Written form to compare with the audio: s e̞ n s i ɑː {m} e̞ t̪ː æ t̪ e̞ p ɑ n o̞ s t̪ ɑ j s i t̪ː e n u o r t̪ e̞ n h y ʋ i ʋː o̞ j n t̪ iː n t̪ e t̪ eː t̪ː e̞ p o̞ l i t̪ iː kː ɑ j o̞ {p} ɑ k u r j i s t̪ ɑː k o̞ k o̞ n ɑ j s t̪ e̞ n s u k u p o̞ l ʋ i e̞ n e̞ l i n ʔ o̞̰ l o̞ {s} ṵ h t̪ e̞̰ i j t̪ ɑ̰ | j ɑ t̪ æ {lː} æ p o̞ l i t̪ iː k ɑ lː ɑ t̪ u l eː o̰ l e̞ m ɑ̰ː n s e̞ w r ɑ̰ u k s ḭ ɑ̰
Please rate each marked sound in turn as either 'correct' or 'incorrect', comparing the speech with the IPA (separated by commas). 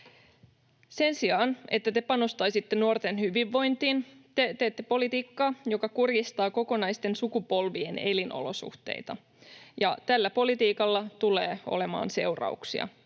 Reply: incorrect, incorrect, correct, correct